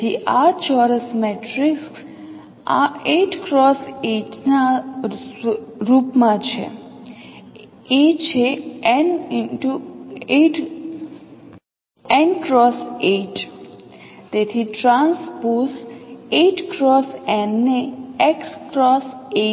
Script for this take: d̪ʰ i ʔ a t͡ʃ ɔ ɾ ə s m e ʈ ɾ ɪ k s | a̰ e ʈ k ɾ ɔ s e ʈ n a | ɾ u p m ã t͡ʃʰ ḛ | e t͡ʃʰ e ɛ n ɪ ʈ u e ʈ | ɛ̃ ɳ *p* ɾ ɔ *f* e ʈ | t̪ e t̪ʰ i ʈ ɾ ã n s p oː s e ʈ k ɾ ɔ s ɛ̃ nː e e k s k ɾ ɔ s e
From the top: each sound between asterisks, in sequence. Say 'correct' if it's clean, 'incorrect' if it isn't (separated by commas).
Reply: incorrect, incorrect